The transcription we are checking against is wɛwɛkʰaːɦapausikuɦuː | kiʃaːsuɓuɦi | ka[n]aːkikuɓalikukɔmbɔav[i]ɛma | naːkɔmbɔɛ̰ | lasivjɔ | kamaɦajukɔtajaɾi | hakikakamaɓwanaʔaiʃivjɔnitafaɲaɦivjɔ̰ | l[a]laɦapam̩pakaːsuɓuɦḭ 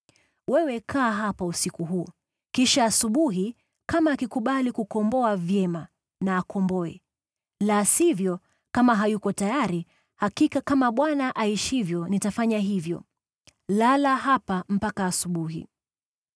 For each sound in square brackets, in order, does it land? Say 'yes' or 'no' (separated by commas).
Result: no, no, yes